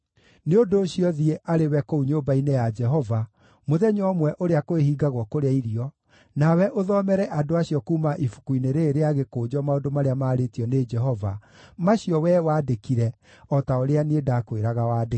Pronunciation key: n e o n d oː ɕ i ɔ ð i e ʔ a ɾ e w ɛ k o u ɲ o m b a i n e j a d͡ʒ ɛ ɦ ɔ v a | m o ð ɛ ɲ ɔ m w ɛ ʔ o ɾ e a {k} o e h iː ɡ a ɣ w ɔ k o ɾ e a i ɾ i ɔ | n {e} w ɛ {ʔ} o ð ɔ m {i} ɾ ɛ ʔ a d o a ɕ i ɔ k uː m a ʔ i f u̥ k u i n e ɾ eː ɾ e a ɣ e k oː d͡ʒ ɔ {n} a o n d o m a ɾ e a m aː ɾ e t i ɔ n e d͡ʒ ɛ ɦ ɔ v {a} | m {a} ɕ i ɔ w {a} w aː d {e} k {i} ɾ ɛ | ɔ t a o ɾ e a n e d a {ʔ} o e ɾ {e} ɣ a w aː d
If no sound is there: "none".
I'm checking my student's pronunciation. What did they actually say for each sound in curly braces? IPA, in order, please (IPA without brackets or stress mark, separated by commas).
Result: k, a, ʔ, ɛ, m, a, a, ɛ, e, i, k, a